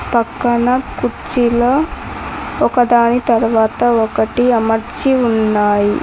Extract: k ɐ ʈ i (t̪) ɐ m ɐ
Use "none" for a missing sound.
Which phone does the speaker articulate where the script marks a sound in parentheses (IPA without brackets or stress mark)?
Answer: none